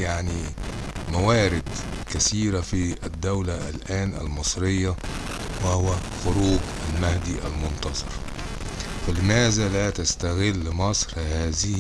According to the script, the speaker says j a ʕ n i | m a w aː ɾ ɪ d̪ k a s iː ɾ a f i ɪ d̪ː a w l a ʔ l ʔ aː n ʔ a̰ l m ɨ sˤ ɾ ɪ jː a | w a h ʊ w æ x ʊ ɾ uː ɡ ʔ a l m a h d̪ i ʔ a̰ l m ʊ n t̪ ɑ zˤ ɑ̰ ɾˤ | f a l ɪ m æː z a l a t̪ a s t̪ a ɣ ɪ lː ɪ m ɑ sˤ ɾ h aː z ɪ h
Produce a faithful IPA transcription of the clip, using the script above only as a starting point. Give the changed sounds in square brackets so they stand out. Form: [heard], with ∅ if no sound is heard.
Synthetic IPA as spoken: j a ʕ n i | m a w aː ɾ ɪ d̪ k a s iː ɾ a f i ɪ d̪ː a w l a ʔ l ʔ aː n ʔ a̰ l m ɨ sˤ ɾ ɪ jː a | w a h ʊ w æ x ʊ ɾ uː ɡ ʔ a l m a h d̪ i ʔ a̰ l m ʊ n t̪ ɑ zˤ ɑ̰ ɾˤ | f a l ɪ m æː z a l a t̪ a s t̪ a ɣ ɪ lː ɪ m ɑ sˤ ɾ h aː z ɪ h